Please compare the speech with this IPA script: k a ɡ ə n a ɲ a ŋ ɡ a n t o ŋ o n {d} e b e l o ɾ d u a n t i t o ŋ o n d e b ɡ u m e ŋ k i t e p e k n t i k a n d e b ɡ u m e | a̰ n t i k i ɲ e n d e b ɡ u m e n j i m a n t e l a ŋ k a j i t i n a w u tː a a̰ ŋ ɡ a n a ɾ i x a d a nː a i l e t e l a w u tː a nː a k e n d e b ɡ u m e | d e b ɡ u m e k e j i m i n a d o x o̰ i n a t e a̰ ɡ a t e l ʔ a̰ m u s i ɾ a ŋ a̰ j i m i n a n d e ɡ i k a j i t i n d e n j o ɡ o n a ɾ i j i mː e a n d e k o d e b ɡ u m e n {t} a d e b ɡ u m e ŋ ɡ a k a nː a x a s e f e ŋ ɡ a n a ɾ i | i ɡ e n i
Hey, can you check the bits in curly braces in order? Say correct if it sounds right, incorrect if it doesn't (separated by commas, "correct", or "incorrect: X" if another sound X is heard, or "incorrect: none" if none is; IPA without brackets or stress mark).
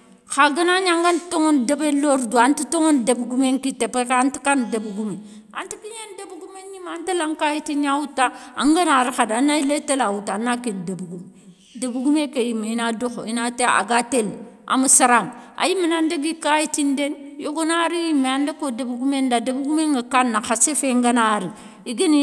correct, incorrect: d